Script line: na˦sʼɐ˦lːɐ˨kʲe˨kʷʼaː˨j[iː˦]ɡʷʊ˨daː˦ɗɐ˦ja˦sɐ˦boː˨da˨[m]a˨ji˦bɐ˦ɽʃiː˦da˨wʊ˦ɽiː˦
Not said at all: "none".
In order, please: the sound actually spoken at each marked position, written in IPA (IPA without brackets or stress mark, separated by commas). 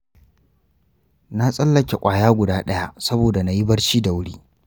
aː˦, n